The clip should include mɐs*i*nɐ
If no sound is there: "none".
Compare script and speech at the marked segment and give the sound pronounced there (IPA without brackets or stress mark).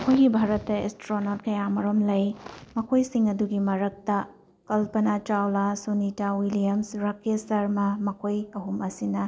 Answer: i